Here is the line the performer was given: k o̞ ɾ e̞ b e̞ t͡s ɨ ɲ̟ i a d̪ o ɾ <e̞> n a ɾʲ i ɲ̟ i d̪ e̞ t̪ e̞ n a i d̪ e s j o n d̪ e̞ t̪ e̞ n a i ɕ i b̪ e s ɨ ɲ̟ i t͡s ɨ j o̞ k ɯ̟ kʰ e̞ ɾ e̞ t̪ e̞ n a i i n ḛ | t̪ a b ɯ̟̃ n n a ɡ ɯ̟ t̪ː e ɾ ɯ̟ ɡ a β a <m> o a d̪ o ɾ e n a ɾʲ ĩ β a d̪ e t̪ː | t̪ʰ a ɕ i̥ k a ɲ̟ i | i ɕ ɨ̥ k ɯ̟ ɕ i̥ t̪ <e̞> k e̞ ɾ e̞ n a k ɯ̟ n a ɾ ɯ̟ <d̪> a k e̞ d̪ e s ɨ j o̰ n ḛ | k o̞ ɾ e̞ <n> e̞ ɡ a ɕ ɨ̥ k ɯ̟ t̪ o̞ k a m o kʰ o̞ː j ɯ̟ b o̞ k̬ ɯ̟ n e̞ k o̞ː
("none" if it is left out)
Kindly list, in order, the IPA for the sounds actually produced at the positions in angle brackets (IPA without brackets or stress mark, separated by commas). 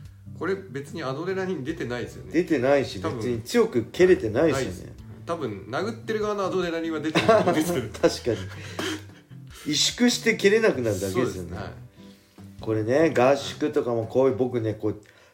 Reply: e̞, n, e̞, d̪, n